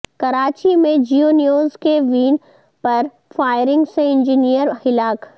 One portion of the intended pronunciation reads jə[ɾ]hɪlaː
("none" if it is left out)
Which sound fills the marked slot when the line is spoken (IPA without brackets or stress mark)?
ɾ